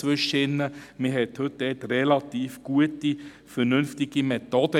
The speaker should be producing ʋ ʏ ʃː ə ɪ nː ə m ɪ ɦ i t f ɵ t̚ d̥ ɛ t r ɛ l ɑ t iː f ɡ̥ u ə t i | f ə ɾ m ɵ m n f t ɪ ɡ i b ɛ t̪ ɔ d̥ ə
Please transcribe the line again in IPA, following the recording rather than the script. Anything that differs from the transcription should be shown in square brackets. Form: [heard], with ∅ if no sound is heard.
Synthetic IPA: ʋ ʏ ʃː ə ɪ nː ə m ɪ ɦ [ɛ] t [h] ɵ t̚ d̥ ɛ t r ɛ l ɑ t iː f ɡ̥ u ə t i | f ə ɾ [n] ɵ [∅] n f t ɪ ɡ i [m] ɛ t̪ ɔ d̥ ə